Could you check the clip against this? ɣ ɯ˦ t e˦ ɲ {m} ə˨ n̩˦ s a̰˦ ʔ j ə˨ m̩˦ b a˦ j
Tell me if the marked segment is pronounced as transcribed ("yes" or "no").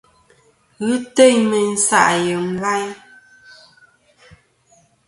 yes